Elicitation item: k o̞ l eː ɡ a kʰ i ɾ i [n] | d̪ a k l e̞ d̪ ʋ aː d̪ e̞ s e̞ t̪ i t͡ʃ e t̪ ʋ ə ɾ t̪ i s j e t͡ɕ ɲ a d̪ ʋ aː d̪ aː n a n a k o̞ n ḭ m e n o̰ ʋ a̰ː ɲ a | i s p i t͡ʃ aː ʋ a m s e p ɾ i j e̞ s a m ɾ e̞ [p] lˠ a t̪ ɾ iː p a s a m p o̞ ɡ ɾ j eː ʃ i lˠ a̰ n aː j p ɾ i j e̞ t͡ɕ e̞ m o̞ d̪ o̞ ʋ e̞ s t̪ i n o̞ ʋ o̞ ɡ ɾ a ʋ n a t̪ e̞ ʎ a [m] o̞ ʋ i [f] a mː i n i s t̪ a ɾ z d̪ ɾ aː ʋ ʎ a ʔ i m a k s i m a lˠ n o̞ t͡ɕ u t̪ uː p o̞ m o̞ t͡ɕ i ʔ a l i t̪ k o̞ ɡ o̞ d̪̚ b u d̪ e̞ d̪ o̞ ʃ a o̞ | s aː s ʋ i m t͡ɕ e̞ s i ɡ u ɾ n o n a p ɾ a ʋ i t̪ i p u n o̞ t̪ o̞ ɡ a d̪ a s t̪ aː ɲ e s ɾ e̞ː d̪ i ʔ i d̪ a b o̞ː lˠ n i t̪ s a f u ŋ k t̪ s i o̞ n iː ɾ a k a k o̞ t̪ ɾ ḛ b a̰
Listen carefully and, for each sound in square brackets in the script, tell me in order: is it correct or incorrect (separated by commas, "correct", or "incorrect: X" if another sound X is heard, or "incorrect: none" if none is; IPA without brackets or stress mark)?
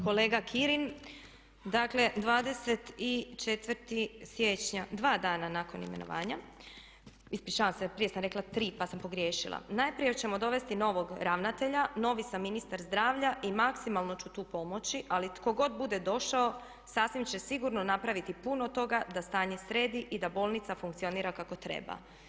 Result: correct, incorrect: k, incorrect: n, incorrect: s